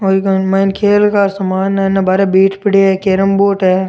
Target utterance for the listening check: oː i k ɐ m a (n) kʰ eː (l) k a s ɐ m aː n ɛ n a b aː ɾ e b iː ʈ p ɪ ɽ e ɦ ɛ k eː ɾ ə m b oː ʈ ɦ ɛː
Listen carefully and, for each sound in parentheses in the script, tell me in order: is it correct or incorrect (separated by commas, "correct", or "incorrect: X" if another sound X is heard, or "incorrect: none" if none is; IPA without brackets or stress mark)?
correct, correct